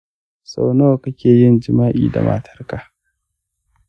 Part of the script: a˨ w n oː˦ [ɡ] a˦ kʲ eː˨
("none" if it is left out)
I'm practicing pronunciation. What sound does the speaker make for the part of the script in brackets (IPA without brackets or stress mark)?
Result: k